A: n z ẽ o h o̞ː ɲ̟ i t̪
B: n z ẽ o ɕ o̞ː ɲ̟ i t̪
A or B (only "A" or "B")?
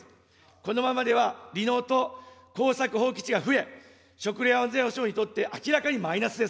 B